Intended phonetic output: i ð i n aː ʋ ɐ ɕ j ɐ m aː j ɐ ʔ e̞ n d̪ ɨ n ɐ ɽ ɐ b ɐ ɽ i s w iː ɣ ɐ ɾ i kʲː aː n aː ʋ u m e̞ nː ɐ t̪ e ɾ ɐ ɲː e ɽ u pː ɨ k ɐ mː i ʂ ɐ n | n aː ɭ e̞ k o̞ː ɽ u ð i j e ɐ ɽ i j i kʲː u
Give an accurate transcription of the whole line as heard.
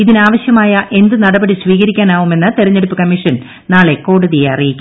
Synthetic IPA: i ð i n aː ʋ ɐ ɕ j ɐ m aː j ɐ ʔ e̞ n d̪ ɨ n ɐ ɽ ɐ b ɐ ɽ i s ʋ iː ɣ ɐ ɾ i kʲː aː n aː ʋ u m e̞ nː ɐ t̪ e ɾ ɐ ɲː e ɽ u pː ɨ k ɐ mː i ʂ ɐ n | n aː ɭ e̞ k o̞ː ɽ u ð i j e ɐ r i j i kʲː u